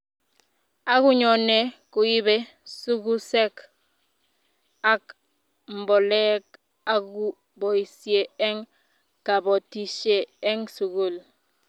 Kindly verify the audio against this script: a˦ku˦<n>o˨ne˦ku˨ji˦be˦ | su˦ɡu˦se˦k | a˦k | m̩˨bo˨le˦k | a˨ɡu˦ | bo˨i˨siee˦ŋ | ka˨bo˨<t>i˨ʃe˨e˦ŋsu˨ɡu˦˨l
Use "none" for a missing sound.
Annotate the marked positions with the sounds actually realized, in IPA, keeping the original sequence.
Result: ɲ, t

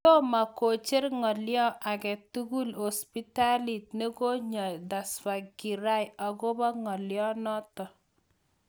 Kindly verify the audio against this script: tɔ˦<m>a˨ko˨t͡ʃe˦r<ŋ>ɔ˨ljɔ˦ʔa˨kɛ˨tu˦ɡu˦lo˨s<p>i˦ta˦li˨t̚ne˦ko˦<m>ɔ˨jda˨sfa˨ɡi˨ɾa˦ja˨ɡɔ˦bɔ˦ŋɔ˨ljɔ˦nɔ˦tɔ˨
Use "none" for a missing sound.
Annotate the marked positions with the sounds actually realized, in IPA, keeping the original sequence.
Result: m, ŋ, p, ɲ

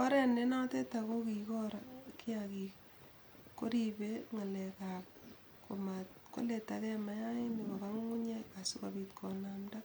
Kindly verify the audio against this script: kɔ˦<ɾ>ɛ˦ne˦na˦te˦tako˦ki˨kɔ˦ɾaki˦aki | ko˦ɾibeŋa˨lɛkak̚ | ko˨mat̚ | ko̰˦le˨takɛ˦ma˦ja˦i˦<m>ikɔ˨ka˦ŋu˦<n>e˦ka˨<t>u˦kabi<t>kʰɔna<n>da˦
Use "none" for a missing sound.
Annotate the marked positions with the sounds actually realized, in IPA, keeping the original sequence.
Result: ɾ, n, ɲ, s, t, m

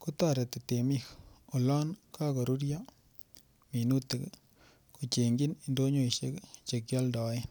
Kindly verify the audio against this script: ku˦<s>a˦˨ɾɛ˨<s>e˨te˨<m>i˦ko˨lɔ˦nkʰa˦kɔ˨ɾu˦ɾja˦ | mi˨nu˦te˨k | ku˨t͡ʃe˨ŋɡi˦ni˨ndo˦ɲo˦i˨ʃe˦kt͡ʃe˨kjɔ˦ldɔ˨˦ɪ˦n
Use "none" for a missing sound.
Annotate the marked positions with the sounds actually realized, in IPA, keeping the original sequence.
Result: t, t, m

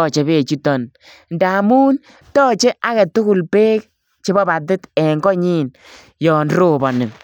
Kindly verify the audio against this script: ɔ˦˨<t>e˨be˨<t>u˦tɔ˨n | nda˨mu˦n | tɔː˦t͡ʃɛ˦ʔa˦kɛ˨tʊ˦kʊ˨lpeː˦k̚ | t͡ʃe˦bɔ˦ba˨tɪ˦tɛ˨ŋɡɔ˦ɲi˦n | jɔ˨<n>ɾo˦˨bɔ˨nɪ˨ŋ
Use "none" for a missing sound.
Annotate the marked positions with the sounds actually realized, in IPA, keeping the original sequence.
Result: t͡ʃ, t͡ʃ, n

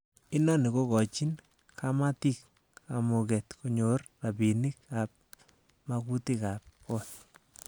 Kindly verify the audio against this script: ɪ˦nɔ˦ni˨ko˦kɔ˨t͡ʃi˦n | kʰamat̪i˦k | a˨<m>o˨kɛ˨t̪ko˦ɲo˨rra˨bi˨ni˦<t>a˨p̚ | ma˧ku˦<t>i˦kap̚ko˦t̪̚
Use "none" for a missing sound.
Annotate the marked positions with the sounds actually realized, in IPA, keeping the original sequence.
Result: m, k, t

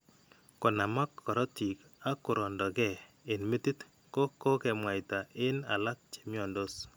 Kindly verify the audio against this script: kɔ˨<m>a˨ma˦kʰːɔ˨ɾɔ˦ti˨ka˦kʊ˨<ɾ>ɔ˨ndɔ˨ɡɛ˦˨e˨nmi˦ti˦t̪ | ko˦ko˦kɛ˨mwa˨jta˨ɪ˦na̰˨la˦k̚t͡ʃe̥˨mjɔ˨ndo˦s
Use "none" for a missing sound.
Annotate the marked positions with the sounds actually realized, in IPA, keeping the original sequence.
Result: n, ɾ

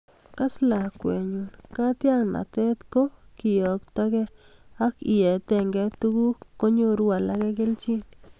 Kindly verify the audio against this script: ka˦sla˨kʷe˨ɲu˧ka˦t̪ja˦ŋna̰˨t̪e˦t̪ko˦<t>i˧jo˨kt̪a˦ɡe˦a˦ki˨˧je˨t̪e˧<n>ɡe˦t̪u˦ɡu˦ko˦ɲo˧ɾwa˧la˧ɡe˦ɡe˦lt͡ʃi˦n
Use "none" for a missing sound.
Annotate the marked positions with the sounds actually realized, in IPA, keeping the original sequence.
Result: k, ŋ

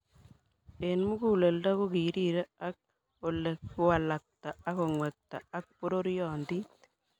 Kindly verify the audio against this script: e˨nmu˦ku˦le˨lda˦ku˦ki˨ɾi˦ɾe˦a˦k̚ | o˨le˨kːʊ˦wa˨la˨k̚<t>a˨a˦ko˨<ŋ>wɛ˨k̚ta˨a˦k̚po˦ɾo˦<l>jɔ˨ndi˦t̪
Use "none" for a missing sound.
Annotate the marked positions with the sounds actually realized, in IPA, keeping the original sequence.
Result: t, ŋ, ɾ

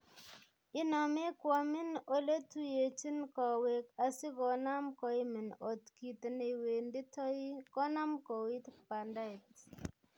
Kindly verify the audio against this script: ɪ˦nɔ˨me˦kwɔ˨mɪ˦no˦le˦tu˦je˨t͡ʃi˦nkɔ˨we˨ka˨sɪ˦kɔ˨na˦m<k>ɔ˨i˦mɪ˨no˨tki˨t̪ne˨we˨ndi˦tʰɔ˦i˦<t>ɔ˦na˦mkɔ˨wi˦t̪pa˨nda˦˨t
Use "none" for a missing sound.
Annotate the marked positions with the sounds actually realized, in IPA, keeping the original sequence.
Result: k, k

